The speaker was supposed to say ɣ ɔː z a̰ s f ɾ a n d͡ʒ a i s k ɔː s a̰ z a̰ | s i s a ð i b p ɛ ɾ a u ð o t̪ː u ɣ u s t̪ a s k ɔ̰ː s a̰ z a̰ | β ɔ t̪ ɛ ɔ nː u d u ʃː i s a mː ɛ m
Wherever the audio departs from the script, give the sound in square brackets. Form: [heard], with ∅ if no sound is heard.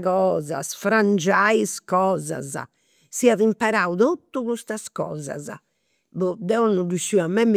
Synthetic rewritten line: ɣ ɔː z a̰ s f ɾ a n d͡ʒ a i s k ɔː [z] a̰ z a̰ | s i [∅] a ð i [m] p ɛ ɾ a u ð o t̪ː u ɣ u s t̪ a s k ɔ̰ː [z] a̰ z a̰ | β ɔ [d̪] ɛ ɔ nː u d u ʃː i [∅] a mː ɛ m